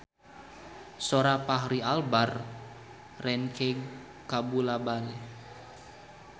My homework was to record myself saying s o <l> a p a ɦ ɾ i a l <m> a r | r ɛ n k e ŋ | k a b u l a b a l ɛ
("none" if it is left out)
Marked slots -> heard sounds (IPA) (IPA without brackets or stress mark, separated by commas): ɾ, b